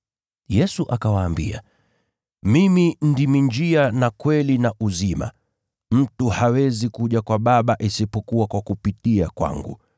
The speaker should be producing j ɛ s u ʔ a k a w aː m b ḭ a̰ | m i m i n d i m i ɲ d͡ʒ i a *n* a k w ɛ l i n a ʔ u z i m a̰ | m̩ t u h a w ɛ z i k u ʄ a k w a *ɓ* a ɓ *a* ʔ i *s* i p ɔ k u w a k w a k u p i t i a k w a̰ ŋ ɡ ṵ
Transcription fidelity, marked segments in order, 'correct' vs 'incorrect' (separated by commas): correct, correct, correct, correct